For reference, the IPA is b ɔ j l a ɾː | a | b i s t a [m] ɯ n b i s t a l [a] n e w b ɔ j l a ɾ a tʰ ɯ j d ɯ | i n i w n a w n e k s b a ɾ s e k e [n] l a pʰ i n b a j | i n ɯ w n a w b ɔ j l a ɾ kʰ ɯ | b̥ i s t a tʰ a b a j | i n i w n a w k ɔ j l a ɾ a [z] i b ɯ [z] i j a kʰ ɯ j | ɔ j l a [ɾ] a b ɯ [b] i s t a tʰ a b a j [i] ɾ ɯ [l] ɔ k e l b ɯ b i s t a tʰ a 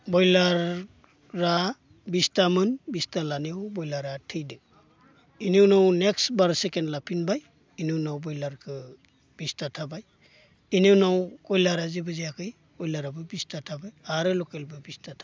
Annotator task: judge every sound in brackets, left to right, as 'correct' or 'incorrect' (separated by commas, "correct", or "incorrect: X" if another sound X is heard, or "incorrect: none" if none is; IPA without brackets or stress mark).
correct, correct, correct, correct, correct, correct, correct, incorrect: a, correct